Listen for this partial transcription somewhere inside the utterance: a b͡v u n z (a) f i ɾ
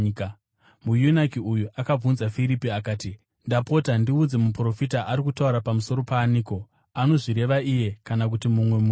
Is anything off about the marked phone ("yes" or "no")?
no